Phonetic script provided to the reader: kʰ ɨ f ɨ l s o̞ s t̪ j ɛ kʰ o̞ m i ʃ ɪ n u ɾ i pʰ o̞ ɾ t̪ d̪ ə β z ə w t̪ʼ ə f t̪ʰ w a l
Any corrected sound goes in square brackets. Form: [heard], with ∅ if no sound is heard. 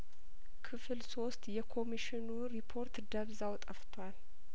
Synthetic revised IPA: kʰ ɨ f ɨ l s o̞ s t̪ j ɛ kʰ o̞ m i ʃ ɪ n u ɾ i pʰ o̞ ɾ t̪ d̪ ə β z [a] w t̪ʼ ə f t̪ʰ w a l